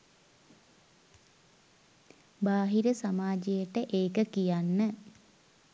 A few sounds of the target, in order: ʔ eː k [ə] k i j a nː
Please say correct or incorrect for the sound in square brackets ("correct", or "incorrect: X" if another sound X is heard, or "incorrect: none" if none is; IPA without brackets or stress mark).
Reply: correct